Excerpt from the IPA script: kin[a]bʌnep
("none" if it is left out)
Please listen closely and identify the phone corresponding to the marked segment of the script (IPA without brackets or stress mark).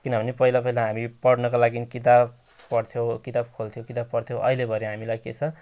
ʌ